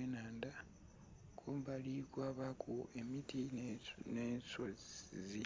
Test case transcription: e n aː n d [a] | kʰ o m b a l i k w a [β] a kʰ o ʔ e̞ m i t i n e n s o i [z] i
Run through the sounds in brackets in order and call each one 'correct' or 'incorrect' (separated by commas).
correct, correct, correct